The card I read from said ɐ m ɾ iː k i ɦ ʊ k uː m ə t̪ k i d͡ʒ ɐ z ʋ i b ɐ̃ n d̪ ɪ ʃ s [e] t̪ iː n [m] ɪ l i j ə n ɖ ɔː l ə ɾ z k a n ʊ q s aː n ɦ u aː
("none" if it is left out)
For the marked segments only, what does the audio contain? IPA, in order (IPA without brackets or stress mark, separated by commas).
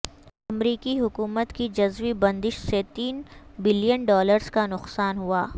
e, b